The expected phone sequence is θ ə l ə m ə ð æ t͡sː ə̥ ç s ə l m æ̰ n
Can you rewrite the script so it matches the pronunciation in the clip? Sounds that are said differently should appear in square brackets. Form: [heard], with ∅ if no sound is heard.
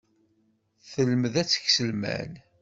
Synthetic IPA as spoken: θ ə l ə m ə ð æ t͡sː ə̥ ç s ə l m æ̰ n